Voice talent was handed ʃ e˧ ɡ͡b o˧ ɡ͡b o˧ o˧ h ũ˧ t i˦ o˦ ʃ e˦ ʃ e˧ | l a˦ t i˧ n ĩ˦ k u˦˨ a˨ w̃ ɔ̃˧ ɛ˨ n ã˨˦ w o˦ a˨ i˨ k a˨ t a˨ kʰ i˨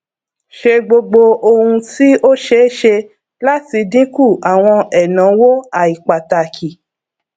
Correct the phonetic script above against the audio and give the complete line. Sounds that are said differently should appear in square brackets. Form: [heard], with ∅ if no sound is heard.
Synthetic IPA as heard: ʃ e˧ ɡ͡b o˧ ɡ͡b o˧ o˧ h ũ˧ t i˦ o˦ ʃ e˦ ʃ e˧ | l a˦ t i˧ [d] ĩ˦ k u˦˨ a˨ w̃ ɔ̃˧ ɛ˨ n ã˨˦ w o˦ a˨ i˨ [k͡p] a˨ t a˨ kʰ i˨